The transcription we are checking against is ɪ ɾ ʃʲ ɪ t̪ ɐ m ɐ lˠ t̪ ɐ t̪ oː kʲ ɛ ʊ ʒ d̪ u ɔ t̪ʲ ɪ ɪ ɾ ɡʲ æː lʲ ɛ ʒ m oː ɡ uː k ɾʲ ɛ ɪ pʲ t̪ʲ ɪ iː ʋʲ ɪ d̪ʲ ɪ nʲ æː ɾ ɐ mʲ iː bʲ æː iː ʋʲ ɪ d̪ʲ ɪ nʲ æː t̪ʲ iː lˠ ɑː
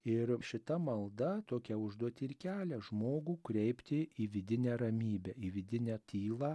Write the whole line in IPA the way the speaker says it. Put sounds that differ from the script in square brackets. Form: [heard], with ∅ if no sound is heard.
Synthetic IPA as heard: ɪ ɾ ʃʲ ɪ t̪ ɐ m ɐ lˠ [d̪] ɐ t̪ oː kʲ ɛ ʊ ʒ d̪ u ɔ t̪ʲ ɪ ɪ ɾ [kʲ] æː lʲ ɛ ʒ m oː ɡ uː k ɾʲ ɛ ɪ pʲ t̪ʲ ɪ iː ʋʲ ɪ d̪ʲ ɪ nʲ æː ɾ ɐ mʲ iː bʲ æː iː ʋʲ ɪ d̪ʲ ɪ nʲ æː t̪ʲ iː lˠ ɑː